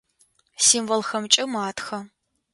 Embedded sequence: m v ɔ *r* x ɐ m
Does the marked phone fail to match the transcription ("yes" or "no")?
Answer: yes